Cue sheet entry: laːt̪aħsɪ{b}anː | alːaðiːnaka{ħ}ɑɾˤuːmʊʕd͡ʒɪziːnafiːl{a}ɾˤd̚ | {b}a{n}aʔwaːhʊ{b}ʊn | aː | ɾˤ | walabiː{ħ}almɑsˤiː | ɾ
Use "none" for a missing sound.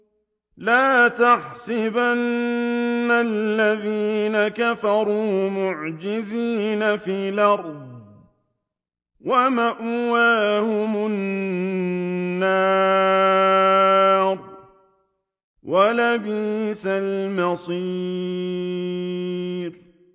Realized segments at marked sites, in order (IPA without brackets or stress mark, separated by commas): b, f, ɑ, w, m, m, s